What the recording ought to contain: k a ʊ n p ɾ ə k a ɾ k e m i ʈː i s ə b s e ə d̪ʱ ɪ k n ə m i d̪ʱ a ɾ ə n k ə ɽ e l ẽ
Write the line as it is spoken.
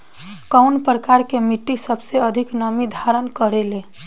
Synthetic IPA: k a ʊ n p ɾ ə k a ɾ k e m i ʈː i s ə b s e ə d̪ʱ i k n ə m i d̪ʱ a ɾ ə n k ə ɾ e l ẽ